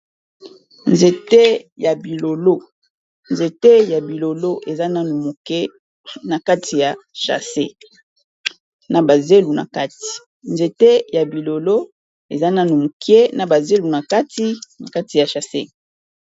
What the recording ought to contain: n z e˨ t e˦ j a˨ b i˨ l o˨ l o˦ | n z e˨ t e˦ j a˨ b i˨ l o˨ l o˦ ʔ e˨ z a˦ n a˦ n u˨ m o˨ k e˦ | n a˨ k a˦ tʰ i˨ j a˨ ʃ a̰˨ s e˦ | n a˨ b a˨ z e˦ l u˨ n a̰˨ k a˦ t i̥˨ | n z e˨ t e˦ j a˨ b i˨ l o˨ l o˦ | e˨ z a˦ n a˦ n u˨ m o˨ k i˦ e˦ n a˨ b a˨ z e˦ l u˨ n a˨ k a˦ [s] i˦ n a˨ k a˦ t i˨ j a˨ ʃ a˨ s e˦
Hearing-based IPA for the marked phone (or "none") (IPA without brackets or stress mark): t